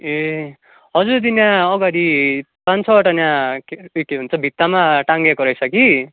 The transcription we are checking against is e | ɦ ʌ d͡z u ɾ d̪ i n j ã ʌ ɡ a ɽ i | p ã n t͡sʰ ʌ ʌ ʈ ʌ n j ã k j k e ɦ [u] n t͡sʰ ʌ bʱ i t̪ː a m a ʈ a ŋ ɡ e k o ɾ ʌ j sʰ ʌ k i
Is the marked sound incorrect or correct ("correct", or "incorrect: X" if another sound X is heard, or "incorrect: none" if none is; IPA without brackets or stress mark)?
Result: correct